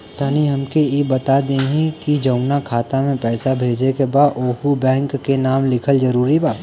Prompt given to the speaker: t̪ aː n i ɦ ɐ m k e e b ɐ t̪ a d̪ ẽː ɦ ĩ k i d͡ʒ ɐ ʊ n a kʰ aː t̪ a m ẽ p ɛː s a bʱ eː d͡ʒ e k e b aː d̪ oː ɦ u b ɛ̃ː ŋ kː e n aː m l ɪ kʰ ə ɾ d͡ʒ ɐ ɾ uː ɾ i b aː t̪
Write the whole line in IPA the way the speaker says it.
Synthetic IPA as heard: t̪ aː n i ɦ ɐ m k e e b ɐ t̪ a d̪ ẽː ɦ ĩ k i d͡ʒ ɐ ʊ n a kʰ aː t̪ a m ẽ p ɛː s a bʱ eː d͡ʒ e k e b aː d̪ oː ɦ u b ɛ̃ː ŋ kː e n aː m l ɪ kʰ ə l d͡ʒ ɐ ɾ uː ɾ i b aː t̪